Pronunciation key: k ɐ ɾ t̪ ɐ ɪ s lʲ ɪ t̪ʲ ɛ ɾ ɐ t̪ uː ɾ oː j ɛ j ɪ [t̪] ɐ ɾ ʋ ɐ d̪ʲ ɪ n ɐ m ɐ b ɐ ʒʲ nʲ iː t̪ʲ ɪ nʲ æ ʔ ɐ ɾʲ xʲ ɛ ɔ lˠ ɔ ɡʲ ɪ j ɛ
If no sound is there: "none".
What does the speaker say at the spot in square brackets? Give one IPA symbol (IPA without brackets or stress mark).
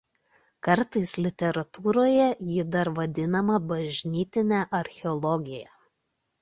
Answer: d̪